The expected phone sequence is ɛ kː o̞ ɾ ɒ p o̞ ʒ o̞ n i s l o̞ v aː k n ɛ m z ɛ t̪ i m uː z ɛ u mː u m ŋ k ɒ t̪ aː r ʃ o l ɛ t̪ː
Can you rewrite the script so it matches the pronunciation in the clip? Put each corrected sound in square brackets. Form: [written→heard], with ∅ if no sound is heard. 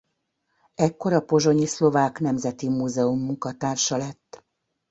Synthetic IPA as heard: ɛ kː o̞ ɾ ɒ p o̞ ʒ o̞ [n→ɲ] i s l o̞ v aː k n ɛ m z ɛ t̪ i m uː z ɛ u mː u [m→∅] ŋ k ɒ t̪ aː r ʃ [o→ɒ] l ɛ t̪ː

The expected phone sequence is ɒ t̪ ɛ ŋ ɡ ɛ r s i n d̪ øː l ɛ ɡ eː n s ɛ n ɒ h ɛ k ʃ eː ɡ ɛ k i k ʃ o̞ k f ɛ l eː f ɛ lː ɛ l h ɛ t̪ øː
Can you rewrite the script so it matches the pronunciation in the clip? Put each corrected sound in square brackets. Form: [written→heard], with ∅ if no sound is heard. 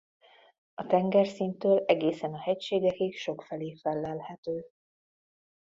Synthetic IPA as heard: ɒ t̪ ɛ ŋ ɡ ɛ r s i n [d̪→t̪] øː l ɛ ɡ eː [n→∅] s ɛ n ɒ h ɛ [k→c] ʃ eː ɡ ɛ k i k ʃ o̞ k f ɛ l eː f ɛ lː ɛ l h ɛ t̪ øː

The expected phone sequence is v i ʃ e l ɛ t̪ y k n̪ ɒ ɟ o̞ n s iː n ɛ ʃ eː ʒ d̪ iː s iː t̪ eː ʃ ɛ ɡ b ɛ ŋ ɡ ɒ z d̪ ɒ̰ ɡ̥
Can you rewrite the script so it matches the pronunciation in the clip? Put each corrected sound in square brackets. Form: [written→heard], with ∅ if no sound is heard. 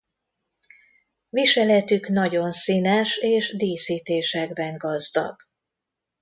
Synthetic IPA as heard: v i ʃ [e→ɛ] l ɛ t̪ y k n̪ ɒ ɟ o̞ n s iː n ɛ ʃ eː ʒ d̪ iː s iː t̪ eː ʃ ɛ ɡ b ɛ ŋ ɡ ɒ z d̪ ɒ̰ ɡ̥

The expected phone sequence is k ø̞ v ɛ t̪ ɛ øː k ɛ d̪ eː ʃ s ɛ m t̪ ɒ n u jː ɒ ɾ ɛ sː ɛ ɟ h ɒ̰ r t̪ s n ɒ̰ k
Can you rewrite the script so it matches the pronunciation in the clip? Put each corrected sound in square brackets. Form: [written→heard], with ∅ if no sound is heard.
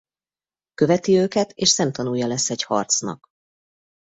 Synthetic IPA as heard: k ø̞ v ɛ t̪ [ɛ→i] øː k ɛ [d̪→t̪] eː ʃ s ɛ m t̪ ɒ n u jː ɒ [ɾ→l] ɛ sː ɛ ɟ h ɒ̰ r t̪ s n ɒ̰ k

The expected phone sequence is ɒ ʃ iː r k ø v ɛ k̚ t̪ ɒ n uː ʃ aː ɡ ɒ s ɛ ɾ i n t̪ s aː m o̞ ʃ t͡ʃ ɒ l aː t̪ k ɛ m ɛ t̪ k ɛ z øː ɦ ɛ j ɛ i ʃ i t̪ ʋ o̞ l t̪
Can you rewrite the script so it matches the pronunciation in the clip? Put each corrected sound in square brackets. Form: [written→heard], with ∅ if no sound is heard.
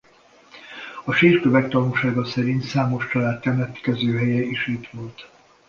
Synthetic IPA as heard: ɒ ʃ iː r k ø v ɛ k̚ t̪ ɒ n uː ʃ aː ɡ ɒ s ɛ ɾ i n t̪ s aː m o̞ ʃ t͡ʃ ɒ l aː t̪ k ɛ m ɛ t̪ k ɛ z øː ɦ ɛ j ɛ i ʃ i t̪ ʋ o̞ l t̪

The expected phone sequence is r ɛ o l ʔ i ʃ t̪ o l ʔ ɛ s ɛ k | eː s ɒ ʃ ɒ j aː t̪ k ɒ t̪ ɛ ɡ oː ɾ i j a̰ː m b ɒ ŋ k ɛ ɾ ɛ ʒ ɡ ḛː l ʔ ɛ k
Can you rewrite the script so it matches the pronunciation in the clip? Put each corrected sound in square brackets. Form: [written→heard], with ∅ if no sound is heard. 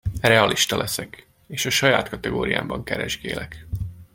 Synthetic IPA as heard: r ɛ [o→ɒ] l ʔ i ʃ t̪ [o→ɒ] l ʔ ɛ s ɛ k | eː [s→ʃ] ɒ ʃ ɒ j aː t̪ k ɒ t̪ ɛ ɡ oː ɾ i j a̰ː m b ɒ ŋ k ɛ ɾ ɛ ʒ ɡ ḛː l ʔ ɛ k

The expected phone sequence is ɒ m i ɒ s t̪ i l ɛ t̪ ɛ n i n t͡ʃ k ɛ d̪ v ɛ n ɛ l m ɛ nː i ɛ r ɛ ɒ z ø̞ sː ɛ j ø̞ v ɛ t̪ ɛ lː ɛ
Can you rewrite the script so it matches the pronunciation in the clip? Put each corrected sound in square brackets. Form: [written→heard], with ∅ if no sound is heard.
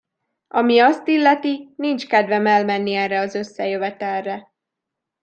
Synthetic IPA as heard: ɒ m i ɒ s t̪ i [l→lː] ɛ t̪ [ɛ→i] n i n t͡ʃ k ɛ d̪ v ɛ [n→m] ɛ l m ɛ nː i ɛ r ɛ ɒ z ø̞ sː ɛ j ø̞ v ɛ t̪ ɛ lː ɛ

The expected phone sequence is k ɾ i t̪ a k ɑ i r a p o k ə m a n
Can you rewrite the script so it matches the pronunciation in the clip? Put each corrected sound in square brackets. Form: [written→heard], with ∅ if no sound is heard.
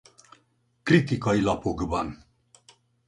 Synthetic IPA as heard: k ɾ i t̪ [a→i] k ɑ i [r→l] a p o [k→ɡ] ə [m→b] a n

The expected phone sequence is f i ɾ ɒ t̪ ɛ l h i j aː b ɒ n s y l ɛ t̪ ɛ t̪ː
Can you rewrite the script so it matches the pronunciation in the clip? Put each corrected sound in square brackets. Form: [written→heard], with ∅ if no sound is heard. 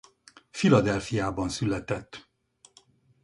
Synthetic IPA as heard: f i [ɾ→l] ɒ [t̪→d̪] ɛ l [h→f] i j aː b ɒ n s y l ɛ t̪ ɛ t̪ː

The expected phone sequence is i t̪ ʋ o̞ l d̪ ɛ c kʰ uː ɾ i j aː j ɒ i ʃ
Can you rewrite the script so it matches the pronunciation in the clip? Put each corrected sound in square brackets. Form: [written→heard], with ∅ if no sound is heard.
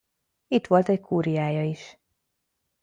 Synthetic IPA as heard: i t̪ ʋ o̞ l [d̪→t̪] ɛ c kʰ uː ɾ i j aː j ɒ i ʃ

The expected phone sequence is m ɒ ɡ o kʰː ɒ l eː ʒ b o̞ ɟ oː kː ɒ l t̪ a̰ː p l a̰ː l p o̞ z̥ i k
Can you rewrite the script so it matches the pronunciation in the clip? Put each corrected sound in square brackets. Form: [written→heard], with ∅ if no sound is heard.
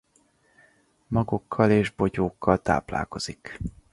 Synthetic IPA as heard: m ɒ ɡ o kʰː ɒ l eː ʒ b o̞ ɟ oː kː ɒ l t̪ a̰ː p l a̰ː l [p→k] o̞ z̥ i k

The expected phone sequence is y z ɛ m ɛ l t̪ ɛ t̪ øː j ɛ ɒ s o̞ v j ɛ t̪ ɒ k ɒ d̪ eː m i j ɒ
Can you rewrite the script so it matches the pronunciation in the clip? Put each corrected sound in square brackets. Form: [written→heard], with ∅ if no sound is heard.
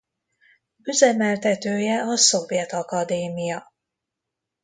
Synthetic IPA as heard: y z ɛ m ɛ l t̪ ɛ t̪ øː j ɛ ɒ s o̞ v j ɛ t̪ ɒ k ɒ d̪ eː m i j ɒ

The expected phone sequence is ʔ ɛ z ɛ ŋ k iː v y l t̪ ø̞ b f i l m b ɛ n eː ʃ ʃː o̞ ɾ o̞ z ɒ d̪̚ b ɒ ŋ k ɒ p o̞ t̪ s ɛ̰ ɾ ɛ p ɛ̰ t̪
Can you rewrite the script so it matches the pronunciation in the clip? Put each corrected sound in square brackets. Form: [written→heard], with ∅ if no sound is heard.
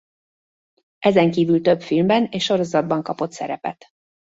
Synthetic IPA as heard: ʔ ɛ z ɛ ŋ k iː v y l t̪ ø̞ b f i l m b ɛ n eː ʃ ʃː o̞ ɾ o̞ z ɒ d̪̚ b ɒ ŋ k ɒ p o̞ t̪ s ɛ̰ ɾ ɛ p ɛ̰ t̪

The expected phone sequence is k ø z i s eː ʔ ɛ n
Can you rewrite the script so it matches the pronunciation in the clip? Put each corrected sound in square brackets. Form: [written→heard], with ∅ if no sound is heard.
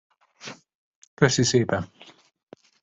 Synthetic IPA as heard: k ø [z→s] i s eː [ʔ→p] ɛ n

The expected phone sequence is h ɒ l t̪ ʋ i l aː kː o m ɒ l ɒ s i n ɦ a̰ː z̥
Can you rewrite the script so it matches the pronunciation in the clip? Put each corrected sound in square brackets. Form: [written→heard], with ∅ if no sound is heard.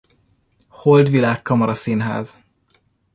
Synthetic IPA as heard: h [ɒ→o] l [t̪→d̪] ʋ i l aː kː [o→ɒ] m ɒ [l→ɾ] ɒ s i n ɦ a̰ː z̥

